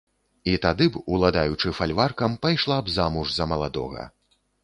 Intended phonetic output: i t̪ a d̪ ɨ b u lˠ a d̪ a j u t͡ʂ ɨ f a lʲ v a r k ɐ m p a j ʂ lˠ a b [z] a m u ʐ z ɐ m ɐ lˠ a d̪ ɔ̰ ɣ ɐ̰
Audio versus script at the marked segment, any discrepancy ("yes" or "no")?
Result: no